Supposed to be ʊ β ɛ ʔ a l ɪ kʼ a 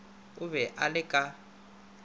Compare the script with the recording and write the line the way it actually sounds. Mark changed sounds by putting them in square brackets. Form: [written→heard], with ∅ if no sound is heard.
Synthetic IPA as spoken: ʊ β ɛ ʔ a l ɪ kʼ a